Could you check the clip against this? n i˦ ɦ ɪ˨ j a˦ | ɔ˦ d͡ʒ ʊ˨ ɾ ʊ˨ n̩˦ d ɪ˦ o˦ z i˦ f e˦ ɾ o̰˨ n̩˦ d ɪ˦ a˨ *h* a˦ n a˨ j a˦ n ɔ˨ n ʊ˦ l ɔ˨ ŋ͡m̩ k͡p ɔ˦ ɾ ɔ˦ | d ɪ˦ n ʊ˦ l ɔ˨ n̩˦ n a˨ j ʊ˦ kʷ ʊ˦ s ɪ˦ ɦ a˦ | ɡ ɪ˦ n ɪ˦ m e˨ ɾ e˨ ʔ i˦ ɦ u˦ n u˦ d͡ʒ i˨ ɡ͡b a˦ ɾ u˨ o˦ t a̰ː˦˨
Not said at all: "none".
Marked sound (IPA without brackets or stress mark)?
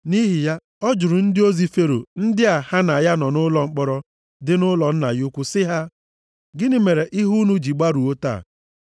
h